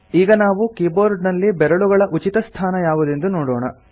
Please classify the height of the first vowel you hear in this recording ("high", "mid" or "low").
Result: high